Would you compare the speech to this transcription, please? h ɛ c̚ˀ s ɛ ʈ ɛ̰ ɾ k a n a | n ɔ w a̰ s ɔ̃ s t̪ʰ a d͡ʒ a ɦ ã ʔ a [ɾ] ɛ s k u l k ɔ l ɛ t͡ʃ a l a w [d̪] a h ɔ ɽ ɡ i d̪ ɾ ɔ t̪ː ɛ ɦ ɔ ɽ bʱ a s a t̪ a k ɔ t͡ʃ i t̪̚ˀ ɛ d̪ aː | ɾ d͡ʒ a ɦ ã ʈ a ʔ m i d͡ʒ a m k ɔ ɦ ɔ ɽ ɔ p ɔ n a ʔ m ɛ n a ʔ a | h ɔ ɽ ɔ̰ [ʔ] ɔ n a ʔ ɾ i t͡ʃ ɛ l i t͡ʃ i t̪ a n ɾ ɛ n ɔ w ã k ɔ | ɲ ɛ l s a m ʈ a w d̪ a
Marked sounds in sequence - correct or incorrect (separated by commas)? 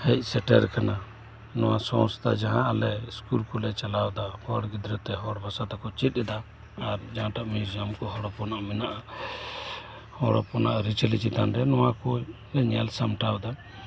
incorrect, correct, incorrect